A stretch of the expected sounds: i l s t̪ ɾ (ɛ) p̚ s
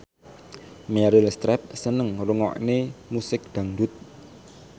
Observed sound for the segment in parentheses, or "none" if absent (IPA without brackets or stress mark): ɛ